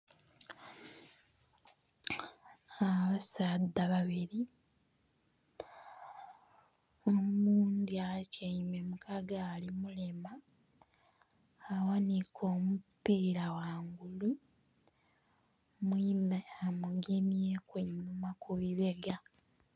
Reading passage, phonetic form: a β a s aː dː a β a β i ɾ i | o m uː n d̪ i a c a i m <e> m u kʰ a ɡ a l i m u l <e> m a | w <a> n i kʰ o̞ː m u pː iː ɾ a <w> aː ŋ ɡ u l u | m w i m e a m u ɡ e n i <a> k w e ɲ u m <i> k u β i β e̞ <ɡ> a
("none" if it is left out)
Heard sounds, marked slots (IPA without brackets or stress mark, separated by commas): e, e, a, w, e, a, ɡ